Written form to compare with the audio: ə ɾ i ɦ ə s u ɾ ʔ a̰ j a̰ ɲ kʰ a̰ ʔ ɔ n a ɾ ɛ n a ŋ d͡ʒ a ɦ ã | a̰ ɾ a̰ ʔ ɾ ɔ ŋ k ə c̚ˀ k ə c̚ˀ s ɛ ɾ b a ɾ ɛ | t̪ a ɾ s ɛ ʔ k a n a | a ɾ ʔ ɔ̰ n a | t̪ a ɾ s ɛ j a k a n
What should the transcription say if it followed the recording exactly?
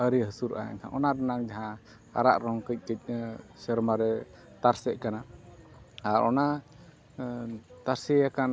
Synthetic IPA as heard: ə ɾ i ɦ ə s u ɾ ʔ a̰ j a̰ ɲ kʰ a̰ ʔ ɔ n a ɾ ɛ n a ŋ d͡ʒ a ɦ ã | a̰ ɾ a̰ ʔ ɾ ɔ ŋ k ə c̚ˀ k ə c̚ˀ s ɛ ɾ m a ɾ ɛ | t̪ a ɾ s ɛ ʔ k a n a | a ɾ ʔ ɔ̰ n a | t̪ a ɾ s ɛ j a k a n

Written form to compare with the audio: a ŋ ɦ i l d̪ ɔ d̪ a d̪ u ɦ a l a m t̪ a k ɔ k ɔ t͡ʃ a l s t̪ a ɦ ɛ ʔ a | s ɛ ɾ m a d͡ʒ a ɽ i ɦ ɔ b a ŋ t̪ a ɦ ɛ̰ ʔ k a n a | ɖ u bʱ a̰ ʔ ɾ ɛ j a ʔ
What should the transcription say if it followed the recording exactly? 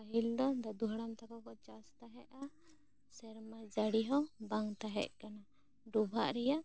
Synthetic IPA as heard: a ɦ i l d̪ ɔ d̪ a d̪ u ɦ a ɽ a m t̪ a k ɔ k ɔ t͡ʃ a s t̪ a ɦ ɛ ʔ a | s ɛ ɾ m a d͡ʒ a ɽ i ɦ ɔ b a ŋ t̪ a ɦ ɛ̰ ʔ k a n a | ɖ u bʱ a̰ ʔ ɾ ɛ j a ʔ

